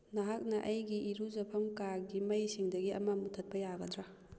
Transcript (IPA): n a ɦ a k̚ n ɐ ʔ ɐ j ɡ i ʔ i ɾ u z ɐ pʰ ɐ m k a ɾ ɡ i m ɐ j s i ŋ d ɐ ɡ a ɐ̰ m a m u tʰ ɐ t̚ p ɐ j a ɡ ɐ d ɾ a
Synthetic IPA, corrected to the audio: n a ɦ a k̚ n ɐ ʔ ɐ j ɡ i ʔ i ɾ u z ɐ pʰ ɐ m k a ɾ ɡ i m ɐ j s i ŋ d ɐ ɡ i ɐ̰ m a m u tʰ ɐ t̚ p ɐ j a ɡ ɐ d ɾ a